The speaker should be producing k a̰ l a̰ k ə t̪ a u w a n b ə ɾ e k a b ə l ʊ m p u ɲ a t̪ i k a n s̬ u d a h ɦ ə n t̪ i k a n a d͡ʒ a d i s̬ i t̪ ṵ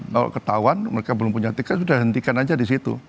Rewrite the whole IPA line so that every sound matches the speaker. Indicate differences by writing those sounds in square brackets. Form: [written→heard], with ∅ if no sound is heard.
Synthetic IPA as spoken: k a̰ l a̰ k ə t̪ a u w a n [b→m] ə ɾ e k a b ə l ʊ m p u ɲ a t̪ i k a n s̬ u d a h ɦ ə n t̪ i k a n a d͡ʒ a d i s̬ i t̪ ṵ